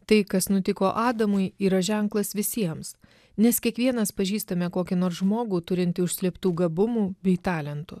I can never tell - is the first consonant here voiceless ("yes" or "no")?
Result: yes